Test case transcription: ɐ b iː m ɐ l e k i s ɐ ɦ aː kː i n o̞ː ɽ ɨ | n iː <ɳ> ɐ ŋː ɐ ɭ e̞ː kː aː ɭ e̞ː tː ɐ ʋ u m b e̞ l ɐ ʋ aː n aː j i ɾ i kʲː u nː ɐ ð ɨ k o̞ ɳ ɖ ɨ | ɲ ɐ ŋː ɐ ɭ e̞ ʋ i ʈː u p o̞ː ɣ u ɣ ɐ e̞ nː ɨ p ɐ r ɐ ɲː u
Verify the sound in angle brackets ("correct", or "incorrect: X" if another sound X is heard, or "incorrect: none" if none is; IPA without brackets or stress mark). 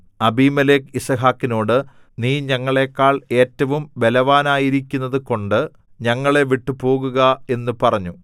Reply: incorrect: ɲ